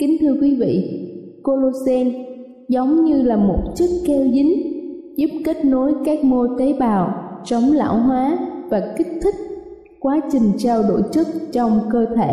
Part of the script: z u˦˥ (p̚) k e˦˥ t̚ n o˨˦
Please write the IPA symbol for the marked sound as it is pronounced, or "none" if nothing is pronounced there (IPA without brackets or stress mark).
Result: p̚